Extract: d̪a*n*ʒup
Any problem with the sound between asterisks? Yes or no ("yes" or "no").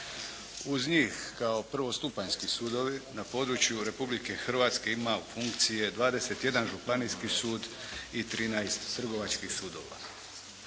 no